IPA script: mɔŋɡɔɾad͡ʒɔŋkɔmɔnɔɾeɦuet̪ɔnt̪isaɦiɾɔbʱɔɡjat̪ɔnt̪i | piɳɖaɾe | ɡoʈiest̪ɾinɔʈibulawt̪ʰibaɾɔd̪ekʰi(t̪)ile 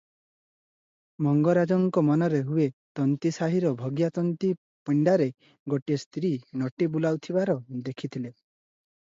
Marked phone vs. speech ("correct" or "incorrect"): incorrect